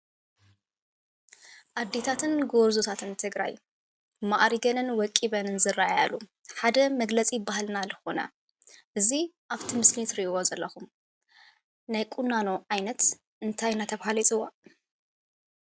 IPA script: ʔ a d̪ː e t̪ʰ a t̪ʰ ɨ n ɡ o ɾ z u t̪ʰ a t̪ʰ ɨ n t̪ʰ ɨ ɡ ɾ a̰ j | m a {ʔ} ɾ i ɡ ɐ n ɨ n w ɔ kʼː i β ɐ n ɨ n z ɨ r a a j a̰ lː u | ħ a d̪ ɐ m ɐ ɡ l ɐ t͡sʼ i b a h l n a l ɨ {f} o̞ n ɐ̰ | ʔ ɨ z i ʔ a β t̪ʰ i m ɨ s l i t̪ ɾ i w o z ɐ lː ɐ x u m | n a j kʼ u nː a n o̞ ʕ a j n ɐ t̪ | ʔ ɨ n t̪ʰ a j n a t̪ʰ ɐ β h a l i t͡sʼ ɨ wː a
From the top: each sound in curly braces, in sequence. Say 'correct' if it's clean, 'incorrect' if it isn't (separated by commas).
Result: correct, incorrect